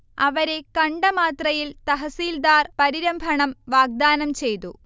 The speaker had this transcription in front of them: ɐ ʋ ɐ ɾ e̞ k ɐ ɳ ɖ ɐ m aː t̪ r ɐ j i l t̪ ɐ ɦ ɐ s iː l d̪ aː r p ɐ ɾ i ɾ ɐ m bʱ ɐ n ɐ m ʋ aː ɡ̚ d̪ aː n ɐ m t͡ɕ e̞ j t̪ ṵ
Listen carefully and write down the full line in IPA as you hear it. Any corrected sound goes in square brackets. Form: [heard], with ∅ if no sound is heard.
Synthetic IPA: ɐ ʋ ɐ ɾ e̞ k ɐ ɳ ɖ ɐ m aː t̪ r ɐ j i l t̪ ɐ ɦ ɐ s iː l d̪ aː r p ɐ ɾ i ɾ ɐ m bʱ ɐ [ɳ] ɐ m ʋ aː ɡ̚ d̪ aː n ɐ m t͡ɕ e̞ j t̪ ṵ